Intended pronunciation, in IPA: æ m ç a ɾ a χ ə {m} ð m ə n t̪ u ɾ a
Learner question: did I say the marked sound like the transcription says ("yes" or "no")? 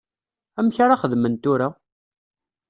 no